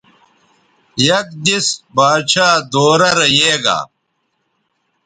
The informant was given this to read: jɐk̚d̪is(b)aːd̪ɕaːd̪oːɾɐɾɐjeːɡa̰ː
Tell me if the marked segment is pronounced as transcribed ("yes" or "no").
yes